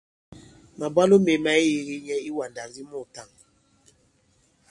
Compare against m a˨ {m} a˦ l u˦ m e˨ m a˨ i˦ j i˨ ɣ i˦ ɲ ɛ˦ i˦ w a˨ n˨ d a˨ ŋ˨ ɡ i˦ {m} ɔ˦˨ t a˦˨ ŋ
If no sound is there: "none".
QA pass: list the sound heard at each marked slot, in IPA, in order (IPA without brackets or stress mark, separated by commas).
b, m